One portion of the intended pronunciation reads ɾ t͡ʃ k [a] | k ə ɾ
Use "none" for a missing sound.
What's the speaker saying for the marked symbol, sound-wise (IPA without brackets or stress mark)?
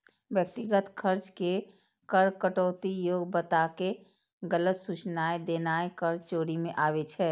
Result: e